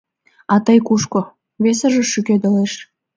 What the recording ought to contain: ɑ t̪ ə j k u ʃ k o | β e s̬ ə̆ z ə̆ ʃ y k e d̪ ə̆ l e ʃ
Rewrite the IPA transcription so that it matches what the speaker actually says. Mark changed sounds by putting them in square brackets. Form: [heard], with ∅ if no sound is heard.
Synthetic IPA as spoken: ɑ t̪ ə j k u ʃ k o | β e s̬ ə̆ [ʒ] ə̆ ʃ y k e d̪ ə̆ l e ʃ